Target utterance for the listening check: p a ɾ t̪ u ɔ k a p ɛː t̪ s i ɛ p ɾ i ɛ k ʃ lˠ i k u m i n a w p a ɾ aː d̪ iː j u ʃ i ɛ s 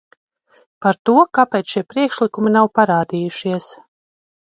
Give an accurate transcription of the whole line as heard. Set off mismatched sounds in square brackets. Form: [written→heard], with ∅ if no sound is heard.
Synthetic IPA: p a ɾ t̪ u ɔ k a p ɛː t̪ [s→ʃ] i ɛ p ɾ i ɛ k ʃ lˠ i k u m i n a w p a ɾ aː d̪ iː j u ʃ i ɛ s